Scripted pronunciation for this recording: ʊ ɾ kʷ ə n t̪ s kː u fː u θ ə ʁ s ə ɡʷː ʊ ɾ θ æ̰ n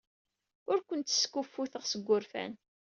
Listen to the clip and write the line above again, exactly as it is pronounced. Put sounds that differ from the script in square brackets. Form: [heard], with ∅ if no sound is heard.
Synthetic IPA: ʊ ɾ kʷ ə n t̪ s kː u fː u θ ə ʁ s ə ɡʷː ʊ ɾ [f] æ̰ n